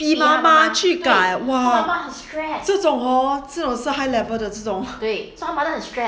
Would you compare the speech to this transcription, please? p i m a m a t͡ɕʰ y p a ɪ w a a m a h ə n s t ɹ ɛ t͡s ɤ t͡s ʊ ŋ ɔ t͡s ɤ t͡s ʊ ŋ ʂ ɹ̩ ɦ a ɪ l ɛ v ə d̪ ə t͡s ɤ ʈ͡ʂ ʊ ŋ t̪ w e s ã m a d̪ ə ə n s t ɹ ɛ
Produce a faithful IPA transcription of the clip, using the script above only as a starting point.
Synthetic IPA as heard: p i m a m a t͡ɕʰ y k a ɪ w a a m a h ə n s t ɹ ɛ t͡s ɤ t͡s ʊ ŋ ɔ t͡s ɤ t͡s ʊ ŋ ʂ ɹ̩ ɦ a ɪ l ɛ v ə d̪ ə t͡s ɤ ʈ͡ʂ ʊ ŋ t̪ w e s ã m a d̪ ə ə n s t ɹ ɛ